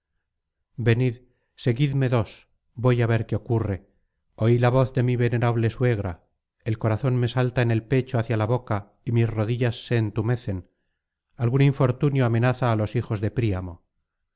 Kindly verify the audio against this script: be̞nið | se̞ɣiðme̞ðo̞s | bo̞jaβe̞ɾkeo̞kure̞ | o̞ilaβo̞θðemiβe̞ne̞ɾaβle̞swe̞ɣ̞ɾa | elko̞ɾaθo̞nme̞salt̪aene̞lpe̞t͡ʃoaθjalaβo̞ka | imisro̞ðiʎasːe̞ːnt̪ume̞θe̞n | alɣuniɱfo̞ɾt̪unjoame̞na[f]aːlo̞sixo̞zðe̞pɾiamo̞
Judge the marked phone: incorrect: θ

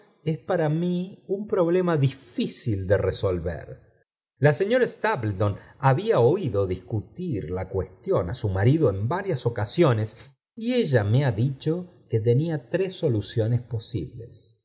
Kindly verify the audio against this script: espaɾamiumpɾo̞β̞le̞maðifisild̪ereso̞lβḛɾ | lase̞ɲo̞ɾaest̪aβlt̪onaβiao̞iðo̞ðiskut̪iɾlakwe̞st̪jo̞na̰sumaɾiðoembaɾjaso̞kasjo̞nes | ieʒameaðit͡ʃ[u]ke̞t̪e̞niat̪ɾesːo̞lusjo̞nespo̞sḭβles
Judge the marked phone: incorrect: o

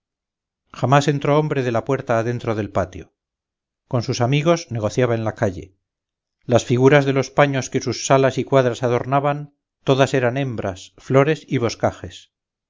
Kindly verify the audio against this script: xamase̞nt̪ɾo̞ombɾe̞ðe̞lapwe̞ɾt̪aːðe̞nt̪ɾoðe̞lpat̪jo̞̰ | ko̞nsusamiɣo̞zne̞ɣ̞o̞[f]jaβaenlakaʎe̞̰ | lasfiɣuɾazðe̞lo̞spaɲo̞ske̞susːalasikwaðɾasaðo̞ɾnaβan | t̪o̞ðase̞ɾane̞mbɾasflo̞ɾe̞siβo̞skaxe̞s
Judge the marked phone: incorrect: θ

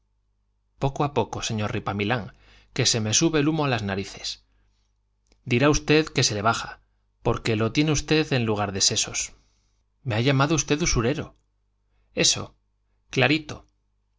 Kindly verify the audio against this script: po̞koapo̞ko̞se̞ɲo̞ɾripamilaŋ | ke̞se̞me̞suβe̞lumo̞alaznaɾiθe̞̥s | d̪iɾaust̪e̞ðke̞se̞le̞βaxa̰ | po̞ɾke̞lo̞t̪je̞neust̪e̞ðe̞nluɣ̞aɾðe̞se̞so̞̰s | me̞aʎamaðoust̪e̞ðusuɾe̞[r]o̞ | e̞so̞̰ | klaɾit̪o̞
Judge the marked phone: incorrect: ɾ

